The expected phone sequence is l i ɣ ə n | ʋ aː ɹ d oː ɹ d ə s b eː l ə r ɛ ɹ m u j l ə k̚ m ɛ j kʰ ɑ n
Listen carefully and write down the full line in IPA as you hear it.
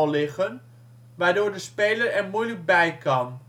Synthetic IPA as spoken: l ɪ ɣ ə n | ʋ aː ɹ d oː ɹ d ə s p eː l ə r ɛ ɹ m u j l ə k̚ b ɛ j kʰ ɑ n